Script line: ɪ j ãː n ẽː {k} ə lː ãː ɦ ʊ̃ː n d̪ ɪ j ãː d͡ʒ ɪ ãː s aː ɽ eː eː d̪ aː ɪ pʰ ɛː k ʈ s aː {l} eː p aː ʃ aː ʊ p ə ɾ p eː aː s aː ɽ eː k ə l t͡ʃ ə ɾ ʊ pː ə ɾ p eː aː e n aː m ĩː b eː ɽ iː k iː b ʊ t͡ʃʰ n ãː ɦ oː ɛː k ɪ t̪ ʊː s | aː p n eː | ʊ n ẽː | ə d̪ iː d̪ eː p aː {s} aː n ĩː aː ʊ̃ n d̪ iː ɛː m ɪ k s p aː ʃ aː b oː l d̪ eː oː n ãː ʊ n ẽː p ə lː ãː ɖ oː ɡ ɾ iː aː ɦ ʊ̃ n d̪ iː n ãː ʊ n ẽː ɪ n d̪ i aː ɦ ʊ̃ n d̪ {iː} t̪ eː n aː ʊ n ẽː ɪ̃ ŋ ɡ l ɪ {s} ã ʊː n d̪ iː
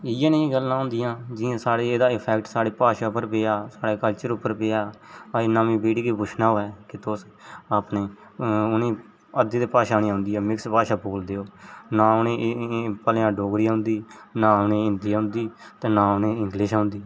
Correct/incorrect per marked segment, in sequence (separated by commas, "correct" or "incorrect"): incorrect, incorrect, incorrect, correct, incorrect